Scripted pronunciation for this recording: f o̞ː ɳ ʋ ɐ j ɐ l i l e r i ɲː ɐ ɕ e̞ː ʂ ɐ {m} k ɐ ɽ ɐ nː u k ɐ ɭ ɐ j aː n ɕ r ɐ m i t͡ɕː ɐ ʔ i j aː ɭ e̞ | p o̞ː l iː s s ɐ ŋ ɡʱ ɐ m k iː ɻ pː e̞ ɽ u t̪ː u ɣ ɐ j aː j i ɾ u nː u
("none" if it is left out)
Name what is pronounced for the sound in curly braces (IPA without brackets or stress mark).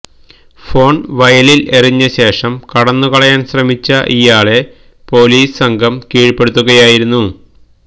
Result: m